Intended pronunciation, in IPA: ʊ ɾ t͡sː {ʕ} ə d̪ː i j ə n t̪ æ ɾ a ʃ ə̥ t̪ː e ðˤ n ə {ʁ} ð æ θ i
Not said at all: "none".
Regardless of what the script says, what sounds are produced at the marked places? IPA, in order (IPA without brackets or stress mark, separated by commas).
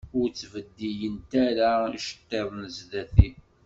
v, z